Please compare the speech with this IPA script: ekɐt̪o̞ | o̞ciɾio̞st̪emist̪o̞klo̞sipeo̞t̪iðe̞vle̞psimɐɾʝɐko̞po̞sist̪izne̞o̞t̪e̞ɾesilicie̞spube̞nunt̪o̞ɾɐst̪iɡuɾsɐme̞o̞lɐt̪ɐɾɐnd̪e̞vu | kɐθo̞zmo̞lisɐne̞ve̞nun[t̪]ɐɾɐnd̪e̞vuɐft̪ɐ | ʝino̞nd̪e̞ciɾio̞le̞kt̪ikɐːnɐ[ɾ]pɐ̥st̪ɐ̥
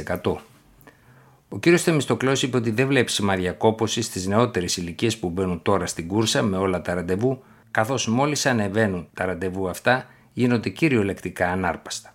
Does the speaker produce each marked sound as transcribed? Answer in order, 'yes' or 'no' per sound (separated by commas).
yes, yes